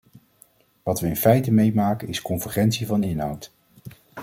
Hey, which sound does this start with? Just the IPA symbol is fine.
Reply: ʋ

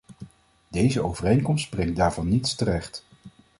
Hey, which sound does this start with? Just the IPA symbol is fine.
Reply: d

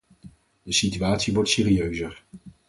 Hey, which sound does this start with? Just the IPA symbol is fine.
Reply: d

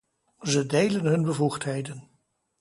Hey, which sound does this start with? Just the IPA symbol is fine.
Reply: z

